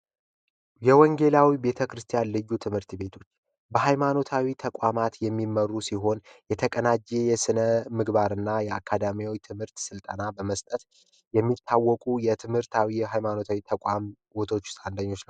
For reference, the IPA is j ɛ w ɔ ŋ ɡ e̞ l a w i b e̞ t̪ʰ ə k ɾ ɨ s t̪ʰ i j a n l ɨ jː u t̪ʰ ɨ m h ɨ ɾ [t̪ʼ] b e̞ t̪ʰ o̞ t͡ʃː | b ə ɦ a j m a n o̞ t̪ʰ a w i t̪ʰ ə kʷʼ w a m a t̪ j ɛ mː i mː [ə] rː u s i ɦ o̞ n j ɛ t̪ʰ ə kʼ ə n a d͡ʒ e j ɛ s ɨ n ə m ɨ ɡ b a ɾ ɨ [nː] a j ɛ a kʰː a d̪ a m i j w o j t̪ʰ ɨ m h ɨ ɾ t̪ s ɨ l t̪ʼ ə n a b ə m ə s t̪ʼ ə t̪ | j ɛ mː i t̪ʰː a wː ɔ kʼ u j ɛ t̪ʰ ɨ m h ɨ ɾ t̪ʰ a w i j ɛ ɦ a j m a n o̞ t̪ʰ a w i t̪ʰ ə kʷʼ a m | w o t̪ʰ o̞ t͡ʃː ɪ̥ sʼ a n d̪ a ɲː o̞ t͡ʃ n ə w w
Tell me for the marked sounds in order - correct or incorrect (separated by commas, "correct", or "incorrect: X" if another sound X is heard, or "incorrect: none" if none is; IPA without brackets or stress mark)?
incorrect: t̪, correct, correct